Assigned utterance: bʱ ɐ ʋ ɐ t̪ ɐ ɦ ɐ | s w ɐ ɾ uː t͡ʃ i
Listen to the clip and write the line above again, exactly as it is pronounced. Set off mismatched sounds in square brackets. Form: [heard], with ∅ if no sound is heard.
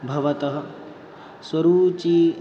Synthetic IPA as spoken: bʱ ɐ ʋ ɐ t̪ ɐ ɦ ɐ | s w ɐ ɾ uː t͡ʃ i